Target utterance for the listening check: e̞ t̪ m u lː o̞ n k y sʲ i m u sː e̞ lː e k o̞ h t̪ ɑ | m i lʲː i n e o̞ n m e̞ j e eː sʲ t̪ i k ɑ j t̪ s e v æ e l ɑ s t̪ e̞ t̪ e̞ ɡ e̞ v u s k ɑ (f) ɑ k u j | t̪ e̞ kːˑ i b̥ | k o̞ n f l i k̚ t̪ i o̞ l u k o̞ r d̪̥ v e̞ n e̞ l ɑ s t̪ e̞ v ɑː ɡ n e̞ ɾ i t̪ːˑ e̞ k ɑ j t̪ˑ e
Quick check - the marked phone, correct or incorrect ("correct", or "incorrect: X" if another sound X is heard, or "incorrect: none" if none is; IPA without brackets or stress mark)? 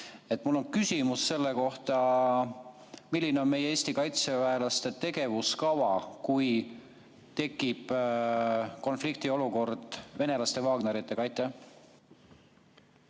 incorrect: v